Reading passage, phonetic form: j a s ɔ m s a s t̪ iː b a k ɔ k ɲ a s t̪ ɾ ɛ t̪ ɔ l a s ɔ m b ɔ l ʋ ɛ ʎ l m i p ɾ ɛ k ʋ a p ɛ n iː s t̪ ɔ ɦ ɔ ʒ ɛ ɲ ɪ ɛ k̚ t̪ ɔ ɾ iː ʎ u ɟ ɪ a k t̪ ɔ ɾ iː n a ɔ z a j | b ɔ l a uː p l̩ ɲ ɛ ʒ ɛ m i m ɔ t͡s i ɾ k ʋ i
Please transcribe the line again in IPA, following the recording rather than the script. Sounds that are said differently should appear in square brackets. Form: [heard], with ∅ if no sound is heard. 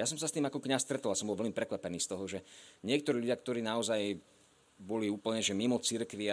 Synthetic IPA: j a s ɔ m s a s t̪ iː [m] a k ɔ k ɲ a s t̪ ɾ ɛ t̪ ɔ l a s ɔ m b ɔ l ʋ ɛ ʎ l m i p ɾ ɛ k ʋ a p ɛ n iː s t̪ ɔ ɦ ɔ ʒ ɛ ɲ ɪ ɛ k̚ t̪ ɔ ɾ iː ʎ u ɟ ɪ a k t̪ ɔ ɾ iː n a ɔ z a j | b ɔ l [i] uː p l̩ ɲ ɛ ʒ ɛ m i m ɔ t͡s i ɾ k ʋ i